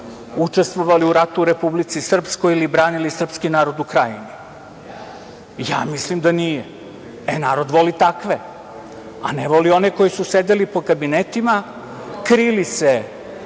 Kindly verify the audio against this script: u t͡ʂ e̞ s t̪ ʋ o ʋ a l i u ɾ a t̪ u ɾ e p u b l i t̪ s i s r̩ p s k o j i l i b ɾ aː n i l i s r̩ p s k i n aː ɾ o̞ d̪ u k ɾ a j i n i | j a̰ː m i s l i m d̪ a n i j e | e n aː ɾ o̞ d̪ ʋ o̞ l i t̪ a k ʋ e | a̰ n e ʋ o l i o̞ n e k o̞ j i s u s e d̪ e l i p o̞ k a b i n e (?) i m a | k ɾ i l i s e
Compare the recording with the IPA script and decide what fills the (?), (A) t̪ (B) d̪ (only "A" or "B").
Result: A